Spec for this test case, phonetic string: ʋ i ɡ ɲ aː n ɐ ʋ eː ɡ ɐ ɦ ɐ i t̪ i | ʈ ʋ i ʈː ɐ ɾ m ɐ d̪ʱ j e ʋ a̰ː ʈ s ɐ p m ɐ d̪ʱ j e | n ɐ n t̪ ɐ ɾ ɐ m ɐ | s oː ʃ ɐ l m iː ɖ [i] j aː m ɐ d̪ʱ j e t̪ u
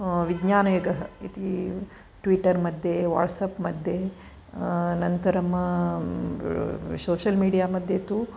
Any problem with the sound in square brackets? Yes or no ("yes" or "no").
no